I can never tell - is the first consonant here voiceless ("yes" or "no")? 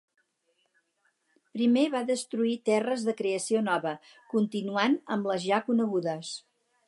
yes